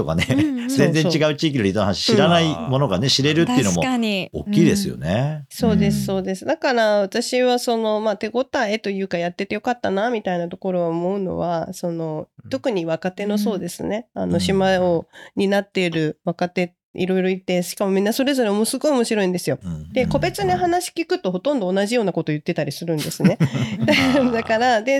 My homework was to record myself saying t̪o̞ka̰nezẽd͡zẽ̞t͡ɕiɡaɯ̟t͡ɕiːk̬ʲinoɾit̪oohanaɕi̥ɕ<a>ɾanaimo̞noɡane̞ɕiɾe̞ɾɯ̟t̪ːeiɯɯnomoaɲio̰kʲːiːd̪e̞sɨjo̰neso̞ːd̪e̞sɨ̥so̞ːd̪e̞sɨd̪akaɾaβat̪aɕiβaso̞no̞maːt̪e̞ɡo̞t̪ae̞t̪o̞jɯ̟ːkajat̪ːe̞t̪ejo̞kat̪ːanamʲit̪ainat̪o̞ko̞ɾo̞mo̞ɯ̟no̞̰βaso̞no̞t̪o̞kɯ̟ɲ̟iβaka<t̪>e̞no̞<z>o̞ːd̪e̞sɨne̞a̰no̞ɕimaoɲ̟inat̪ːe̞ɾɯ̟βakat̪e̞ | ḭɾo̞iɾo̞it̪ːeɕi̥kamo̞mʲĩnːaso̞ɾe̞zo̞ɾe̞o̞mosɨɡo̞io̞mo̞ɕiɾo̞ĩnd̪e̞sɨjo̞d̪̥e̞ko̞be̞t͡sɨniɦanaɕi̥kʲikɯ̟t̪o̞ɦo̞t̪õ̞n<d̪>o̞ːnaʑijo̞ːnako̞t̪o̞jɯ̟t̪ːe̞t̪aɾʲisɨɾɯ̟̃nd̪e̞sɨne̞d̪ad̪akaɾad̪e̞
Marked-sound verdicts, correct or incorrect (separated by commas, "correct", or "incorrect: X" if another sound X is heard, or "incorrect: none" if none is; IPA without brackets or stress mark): incorrect: i, correct, incorrect: s, correct